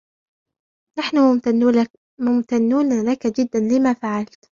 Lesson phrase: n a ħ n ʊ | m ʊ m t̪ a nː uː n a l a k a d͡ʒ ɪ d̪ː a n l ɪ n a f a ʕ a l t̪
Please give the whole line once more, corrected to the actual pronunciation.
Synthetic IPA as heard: n a ħ n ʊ | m ʊ m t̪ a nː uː n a l a k a d͡ʒ ɪ d̪ː a n l ɪ m a f a ʕ a l t̪